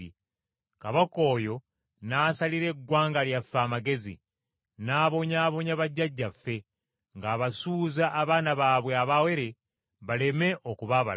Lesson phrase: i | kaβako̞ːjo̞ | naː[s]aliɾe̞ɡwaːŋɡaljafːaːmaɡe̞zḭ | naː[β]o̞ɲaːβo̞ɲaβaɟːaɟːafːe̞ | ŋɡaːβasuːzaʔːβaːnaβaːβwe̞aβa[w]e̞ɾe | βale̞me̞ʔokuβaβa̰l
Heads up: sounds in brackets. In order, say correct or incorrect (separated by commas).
correct, correct, correct